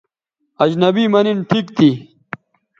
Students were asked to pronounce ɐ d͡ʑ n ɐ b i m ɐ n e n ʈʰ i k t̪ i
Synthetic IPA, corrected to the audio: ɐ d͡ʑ n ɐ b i m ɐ n i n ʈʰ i k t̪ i